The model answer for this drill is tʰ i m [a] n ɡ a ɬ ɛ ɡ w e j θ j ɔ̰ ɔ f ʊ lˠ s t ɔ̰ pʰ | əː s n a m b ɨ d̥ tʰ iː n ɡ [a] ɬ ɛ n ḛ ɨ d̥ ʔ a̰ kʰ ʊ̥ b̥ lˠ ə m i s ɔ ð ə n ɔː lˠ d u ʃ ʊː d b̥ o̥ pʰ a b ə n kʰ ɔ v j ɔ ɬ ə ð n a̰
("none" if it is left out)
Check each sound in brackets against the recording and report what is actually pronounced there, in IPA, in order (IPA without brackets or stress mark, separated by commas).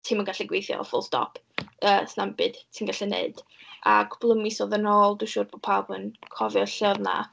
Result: ə, a